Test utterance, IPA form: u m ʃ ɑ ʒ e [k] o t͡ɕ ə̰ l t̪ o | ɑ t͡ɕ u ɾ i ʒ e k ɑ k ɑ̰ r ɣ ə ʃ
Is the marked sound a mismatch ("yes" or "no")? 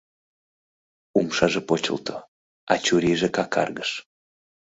yes